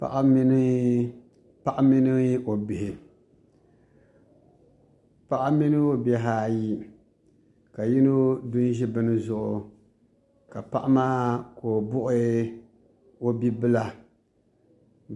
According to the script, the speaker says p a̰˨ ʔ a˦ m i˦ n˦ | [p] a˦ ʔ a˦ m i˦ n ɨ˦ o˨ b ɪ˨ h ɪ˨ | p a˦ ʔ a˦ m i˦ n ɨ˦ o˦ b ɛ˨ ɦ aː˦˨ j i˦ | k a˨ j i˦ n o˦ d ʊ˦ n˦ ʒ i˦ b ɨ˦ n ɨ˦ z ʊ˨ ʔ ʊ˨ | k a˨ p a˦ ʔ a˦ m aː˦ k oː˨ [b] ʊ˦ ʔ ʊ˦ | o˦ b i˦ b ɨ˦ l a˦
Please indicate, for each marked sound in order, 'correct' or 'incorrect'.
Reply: correct, correct

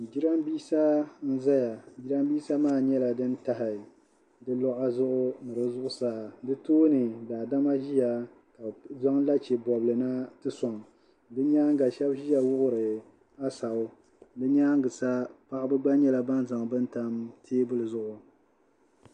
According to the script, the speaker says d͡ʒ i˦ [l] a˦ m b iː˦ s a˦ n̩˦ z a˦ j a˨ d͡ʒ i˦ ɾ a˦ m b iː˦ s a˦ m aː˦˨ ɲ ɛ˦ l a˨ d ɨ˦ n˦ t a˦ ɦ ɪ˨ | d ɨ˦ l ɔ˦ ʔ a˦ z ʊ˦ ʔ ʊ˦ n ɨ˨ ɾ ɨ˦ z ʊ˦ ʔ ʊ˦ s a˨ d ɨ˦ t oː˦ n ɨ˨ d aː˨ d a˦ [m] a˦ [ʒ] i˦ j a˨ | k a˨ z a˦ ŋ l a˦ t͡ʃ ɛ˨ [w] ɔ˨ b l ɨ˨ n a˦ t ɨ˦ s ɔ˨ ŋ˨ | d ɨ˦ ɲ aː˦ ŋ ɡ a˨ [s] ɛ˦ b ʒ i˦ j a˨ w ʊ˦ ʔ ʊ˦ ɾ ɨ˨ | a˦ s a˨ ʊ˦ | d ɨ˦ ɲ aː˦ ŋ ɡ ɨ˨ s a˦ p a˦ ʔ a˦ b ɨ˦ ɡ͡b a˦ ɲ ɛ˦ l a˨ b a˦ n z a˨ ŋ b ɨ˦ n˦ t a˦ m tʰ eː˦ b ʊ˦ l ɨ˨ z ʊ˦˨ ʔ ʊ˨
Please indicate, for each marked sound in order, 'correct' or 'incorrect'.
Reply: incorrect, correct, correct, incorrect, incorrect

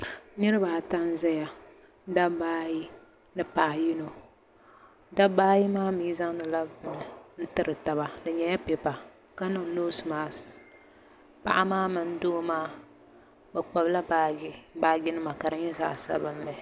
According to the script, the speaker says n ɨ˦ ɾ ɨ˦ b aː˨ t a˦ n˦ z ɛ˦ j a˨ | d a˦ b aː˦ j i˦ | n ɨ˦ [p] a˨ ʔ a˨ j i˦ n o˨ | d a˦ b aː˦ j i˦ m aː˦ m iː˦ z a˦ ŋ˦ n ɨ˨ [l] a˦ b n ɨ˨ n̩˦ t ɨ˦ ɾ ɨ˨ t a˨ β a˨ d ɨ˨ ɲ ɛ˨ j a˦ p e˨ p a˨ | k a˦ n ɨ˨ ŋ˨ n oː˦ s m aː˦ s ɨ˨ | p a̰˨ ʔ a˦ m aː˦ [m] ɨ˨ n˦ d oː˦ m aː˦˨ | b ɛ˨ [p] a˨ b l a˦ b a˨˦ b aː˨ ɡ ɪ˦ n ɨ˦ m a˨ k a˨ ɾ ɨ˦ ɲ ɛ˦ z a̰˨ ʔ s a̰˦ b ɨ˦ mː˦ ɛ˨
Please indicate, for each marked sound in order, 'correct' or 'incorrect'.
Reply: correct, correct, correct, incorrect

